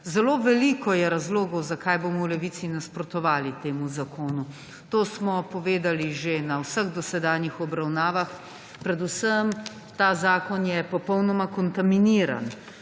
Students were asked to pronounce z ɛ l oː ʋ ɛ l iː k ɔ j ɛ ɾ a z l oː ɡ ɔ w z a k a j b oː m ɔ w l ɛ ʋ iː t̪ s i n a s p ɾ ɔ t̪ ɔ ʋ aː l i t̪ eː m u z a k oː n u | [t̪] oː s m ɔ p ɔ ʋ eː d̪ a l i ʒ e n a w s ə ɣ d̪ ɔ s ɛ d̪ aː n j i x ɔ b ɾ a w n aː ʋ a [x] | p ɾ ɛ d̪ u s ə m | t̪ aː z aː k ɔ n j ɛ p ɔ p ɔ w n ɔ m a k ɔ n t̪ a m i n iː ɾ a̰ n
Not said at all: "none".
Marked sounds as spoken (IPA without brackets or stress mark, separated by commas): t̪, x